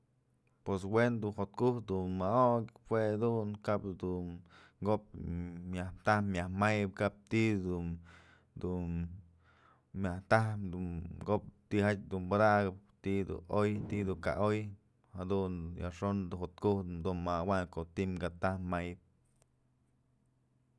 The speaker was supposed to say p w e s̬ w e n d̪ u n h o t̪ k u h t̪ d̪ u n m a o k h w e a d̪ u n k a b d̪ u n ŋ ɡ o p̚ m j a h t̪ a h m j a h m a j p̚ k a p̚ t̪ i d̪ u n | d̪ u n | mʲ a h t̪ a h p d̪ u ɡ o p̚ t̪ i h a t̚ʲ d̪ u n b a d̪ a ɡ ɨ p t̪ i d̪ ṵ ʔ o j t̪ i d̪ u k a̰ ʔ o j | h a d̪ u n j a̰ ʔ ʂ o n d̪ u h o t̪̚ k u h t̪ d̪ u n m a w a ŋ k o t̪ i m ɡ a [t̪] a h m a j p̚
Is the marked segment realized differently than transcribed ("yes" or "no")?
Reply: no